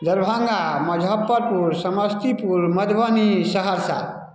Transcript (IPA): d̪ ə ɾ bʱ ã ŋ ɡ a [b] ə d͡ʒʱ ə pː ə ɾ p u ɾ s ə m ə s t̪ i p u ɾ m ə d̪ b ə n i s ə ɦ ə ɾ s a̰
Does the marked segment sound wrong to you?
yes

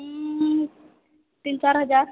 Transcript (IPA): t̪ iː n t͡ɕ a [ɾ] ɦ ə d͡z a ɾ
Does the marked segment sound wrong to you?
no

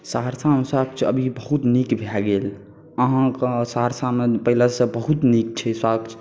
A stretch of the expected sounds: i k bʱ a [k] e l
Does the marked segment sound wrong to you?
yes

